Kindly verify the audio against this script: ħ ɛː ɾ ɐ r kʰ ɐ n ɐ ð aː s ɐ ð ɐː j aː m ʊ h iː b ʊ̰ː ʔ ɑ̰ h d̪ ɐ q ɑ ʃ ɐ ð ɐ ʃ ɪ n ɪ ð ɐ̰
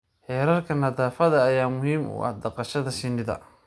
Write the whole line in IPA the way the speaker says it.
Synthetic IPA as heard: ħ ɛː ɾ ɐ r kʰ ɐ n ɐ ð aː f ɐ ð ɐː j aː m ʊ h iː m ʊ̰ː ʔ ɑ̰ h d̪ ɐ q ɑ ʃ ɐ ð ɐ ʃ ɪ n ɪ ð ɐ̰